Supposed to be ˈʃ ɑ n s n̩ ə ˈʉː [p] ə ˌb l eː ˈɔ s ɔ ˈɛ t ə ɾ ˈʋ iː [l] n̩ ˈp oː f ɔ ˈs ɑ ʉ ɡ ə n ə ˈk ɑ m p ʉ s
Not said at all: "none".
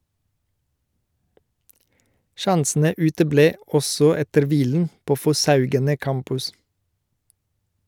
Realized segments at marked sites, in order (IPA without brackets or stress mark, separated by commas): t, l